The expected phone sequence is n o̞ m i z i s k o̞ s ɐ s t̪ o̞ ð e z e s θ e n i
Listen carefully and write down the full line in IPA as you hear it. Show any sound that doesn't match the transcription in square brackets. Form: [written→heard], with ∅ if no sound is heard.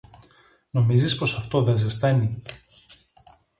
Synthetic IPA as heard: n o̞ m i z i s [k→p] o̞ s ɐ [s→f] t̪ o̞ ð e z e s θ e n i